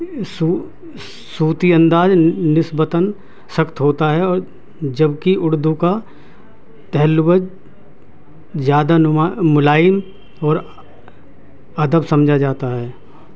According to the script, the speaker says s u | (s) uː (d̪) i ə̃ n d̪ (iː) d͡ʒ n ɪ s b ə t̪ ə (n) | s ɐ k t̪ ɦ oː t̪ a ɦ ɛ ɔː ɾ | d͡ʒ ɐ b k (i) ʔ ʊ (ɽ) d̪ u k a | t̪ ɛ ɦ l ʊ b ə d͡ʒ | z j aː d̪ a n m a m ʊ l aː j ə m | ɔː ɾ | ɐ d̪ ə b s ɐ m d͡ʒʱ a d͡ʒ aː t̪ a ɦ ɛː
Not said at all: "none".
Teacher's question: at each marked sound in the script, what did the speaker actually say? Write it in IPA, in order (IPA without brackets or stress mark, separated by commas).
s, t̪, aː, n, i, ɽ